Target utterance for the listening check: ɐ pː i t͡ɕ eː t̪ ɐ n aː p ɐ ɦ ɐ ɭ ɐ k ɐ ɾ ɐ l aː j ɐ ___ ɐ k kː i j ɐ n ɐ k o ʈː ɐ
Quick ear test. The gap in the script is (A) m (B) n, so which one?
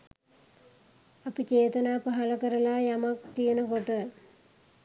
A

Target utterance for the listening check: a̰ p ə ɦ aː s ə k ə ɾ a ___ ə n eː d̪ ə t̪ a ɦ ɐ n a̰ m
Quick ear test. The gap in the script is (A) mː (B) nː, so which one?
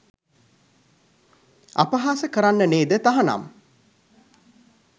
B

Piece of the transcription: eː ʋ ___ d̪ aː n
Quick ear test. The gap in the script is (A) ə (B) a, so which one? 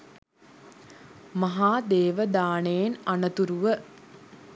A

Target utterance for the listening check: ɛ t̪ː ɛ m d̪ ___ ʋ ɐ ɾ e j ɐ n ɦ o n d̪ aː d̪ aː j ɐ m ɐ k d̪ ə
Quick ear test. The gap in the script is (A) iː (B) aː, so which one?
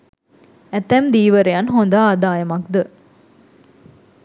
A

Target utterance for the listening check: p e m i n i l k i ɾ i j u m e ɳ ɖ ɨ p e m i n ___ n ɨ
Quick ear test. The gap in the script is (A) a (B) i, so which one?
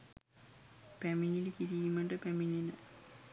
B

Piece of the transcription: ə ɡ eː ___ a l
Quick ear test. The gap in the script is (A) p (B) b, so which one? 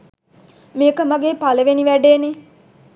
A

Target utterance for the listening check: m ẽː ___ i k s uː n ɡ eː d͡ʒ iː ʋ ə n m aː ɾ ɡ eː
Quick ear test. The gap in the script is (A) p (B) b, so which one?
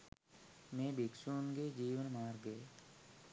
B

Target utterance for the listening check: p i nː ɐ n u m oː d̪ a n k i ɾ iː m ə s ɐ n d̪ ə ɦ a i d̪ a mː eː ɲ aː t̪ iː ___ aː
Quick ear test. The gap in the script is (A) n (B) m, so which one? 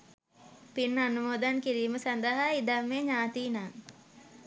A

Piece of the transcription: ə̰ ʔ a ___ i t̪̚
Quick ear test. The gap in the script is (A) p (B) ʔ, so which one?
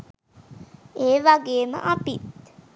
A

